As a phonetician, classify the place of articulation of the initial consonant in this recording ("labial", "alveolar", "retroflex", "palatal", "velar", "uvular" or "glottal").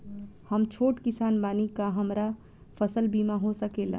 glottal